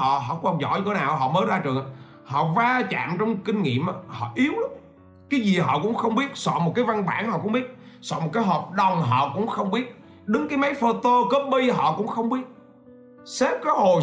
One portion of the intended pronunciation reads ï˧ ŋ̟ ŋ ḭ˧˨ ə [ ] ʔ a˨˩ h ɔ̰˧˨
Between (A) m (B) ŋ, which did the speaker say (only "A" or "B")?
A